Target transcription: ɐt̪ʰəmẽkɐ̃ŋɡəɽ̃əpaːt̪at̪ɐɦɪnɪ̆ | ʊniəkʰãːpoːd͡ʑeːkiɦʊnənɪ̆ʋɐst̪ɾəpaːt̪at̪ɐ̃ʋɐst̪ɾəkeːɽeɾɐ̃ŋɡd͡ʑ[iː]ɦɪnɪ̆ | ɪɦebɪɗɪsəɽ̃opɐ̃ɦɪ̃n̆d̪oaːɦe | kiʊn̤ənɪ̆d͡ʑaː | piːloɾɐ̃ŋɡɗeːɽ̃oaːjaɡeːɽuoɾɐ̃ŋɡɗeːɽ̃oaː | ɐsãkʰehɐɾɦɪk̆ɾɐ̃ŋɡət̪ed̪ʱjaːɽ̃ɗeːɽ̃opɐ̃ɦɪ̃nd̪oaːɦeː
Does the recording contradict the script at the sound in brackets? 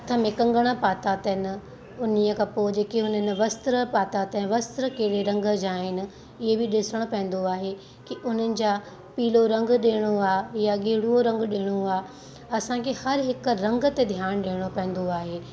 yes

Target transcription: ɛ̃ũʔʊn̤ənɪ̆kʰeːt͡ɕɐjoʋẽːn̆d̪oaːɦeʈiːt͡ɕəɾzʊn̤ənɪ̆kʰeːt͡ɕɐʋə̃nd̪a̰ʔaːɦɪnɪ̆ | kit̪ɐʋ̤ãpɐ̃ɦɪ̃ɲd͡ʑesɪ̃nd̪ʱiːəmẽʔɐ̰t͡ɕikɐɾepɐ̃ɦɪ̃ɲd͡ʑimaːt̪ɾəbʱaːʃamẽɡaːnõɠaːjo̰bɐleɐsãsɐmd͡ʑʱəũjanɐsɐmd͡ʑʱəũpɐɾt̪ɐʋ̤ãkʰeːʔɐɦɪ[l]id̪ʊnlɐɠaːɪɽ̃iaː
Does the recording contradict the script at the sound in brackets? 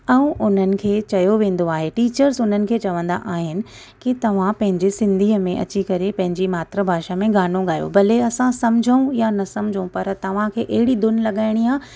yes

